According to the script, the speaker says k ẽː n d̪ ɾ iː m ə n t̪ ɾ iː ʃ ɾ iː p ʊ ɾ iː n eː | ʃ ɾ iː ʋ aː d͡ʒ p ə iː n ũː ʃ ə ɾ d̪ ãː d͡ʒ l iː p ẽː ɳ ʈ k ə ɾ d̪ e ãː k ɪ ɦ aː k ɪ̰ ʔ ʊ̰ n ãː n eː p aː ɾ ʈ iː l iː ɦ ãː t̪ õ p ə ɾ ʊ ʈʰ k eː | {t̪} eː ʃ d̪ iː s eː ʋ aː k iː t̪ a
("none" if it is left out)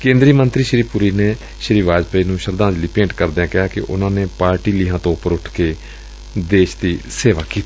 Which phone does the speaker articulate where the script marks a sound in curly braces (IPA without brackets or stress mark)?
d̪